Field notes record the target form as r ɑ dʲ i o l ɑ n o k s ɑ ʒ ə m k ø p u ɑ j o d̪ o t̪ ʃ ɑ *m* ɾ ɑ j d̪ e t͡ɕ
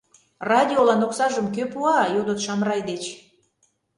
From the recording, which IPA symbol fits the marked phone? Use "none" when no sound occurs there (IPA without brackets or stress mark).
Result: m